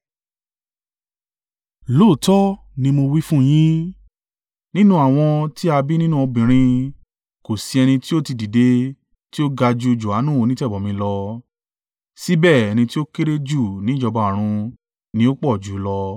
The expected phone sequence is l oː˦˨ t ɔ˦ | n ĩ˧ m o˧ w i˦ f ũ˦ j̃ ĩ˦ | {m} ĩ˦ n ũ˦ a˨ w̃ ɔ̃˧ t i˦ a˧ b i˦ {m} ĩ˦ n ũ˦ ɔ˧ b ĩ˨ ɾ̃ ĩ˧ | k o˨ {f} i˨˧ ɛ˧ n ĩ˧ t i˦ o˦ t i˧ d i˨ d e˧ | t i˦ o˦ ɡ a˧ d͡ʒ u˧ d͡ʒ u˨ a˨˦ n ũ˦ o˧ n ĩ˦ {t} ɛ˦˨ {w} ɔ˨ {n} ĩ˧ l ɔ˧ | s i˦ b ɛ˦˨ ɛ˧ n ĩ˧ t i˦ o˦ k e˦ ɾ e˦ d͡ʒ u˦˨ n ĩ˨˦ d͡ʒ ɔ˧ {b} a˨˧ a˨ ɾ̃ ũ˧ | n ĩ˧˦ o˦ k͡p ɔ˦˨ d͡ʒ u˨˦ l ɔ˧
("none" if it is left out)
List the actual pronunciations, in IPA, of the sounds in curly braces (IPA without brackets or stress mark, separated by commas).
n, n, s, t, b, m, b